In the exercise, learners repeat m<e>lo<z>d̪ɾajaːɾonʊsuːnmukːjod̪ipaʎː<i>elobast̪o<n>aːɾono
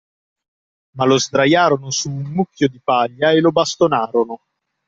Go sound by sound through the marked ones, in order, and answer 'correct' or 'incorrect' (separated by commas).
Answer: incorrect, correct, incorrect, correct